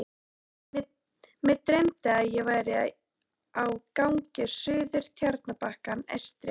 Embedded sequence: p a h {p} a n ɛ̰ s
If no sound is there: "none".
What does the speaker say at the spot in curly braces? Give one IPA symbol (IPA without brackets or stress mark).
k